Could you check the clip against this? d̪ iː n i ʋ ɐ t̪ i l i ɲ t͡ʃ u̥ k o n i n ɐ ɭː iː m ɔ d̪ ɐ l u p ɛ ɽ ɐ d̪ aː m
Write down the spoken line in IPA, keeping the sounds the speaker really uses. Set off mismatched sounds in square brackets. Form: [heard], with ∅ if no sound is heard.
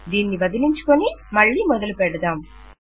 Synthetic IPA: d̪ iː [nː] i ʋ ɐ [d̪] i l i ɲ t͡ʃ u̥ k o n i [m] ɐ ɭː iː m ɔ d̪ ɐ l u p ɛ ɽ ɐ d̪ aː m